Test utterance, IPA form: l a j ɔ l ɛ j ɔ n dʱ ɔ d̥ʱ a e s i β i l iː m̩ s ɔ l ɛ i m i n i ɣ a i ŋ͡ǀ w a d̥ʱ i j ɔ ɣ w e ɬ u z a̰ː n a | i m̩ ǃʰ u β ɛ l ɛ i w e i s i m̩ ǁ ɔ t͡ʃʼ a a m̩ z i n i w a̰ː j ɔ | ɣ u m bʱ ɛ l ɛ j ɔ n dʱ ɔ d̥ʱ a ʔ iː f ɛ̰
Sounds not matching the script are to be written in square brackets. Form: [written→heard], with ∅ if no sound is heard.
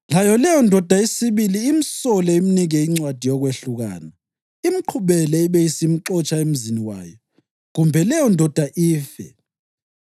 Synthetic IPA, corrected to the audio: l a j ɔ l ɛ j ɔ n dʱ ɔ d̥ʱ a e s i β i l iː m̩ s ɔ l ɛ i m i n i ɣ [a→ɛ] i ŋ͡ǀ w a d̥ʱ i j ɔ ɣ w e ɬ u [z→ɣ] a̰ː n a | i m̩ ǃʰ u β ɛ l ɛ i [w→β] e i s i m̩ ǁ ɔ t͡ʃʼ a [a→e] m̩ z i n i w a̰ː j ɔ | ɣ u m bʱ ɛ l ɛ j ɔ n dʱ ɔ d̥ʱ a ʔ iː f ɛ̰

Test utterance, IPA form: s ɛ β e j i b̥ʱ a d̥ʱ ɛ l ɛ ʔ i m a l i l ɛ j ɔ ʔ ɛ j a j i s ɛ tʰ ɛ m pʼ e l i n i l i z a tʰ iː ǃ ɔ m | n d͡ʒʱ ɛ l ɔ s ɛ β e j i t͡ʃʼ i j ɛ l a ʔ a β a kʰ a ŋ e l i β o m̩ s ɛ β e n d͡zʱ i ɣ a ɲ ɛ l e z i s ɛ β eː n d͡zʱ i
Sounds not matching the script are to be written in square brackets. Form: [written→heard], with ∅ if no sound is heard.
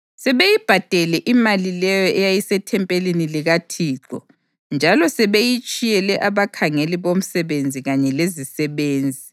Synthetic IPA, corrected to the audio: s ɛ β e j i b̥ʱ a d̥ʱ ɛ l ɛ ʔ i m a l i l ɛ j ɔ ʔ ɛ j a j i s ɛ tʰ ɛ m pʼ e l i n i l i [z→ɣ] a tʰ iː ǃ ɔ [m→∅] | n d͡ʒʱ [ɛ→a] l ɔ s ɛ β e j i t͡ʃʼ i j ɛ l [a→ɛ] ʔ a β a kʰ a ŋ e l i β o m̩ s ɛ β e n d͡zʱ i ɣ a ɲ ɛ l e z i s ɛ β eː n d͡zʱ i

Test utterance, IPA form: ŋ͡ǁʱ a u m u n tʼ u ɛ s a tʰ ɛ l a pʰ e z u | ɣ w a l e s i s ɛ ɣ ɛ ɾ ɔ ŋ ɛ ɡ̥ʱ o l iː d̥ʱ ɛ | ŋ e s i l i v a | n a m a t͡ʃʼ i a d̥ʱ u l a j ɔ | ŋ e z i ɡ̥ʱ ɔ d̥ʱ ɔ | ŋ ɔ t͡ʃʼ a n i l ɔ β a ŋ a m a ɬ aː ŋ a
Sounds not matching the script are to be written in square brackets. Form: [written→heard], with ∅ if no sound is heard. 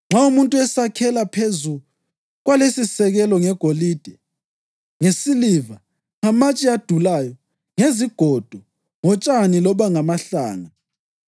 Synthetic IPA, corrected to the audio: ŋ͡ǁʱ a u m u n tʼ u ɛ s a [tʰ→kʰ] ɛ l a pʰ e z u | ɣ w a l e s i s ɛ ɣ ɛ [ɾ→l] ɔ ŋ ɛ ɡ̥ʱ o l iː d̥ʱ ɛ | ŋ e s i l i v a | [n→ŋ] a m a t͡ʃʼ i a d̥ʱ u l a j ɔ | ŋ e z i ɡ̥ʱ ɔ d̥ʱ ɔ | ŋ ɔ t͡ʃʼ a n i l ɔ β a ŋ a m a ɬ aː ŋ a

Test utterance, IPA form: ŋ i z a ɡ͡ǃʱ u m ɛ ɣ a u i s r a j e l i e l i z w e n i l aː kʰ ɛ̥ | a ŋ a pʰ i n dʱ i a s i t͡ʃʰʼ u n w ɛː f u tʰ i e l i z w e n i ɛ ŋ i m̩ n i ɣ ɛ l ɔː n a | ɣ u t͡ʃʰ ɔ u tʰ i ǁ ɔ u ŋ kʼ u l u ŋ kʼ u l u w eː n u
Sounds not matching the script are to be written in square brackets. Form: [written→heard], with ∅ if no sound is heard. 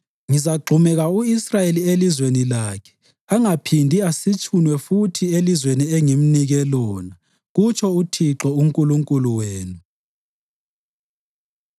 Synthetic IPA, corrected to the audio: ŋ i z a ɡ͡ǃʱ u m ɛ ɣ a u i s r a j e l i e l i z w e n i l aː kʰ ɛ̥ | a ŋ a pʰ i n dʱ i a s i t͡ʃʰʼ u n w [ɛː→ɛ] f u tʰ i e l i z w e n i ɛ ŋ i m̩ n i ɣ ɛ l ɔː n a | ɣ u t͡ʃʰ ɔ u tʰ i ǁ ɔ u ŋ kʼ u l u ŋ kʼ u l u w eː n u

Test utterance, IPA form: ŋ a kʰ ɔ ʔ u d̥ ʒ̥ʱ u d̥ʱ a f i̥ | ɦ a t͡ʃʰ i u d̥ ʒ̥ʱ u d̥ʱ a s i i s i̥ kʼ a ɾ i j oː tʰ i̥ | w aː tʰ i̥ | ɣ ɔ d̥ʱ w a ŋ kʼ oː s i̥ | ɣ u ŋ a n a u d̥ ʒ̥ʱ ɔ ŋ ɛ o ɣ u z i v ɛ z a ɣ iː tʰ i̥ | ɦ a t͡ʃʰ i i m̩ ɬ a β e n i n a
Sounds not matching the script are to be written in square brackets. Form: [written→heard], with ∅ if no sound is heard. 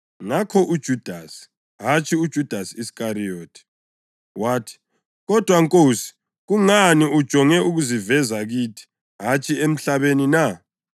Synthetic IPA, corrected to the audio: ŋ a kʰ ɔ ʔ u d̥ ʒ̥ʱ u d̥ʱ a [f→s] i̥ | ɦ a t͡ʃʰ i u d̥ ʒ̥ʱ u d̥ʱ a s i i s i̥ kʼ a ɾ i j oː tʰ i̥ | w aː tʰ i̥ | ɣ ɔ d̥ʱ w a ŋ kʼ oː s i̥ | ɣ u ŋ a n [a→i] u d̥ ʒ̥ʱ ɔ ŋ ɛ [o→u] ɣ u z i v ɛ z a ɣ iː tʰ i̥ | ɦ a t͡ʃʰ i [i→e] m̩ ɬ a β e n i n a

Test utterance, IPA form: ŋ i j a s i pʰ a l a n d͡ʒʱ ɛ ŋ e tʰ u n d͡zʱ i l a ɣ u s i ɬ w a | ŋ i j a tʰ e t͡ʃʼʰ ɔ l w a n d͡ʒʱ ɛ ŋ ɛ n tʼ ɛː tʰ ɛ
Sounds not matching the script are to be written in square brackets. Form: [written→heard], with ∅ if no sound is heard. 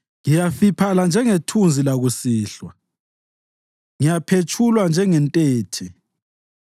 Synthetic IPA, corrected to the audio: ŋ i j a [s→f] i pʰ a l a n d͡ʒʱ ɛ ŋ e tʰ u n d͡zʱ i l a ɣ u s [i→iː] ɬ w a | ŋ i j a [tʰ→pʰ] e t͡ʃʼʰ [ɔ→u] l w a n d͡ʒʱ ɛ ŋ ɛ n tʼ ɛː tʰ ɛ

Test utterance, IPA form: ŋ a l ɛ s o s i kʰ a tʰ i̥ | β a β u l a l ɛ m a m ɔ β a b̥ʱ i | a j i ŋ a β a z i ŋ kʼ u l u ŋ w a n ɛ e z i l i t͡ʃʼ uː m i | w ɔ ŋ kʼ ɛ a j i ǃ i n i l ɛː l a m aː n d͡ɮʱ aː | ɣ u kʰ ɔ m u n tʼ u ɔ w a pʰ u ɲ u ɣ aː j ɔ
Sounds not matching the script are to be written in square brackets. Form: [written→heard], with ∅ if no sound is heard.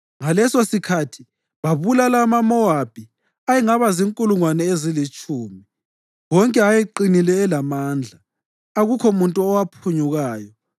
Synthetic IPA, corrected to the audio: ŋ a l ɛ s o s i kʰ a tʰ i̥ | β a β u l a l [ɛ→a] m a m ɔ [β→∅] a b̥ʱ i | a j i ŋ a β a z i ŋ kʼ u l u ŋ w a n ɛ e z i l i t͡ʃʼ uː m i | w ɔ ŋ kʼ ɛ a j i ǃ i n i l ɛː l a m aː n d͡ɮʱ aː | ɣ u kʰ ɔ m u n tʼ u ɔ w a pʰ u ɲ u ɣ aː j ɔ

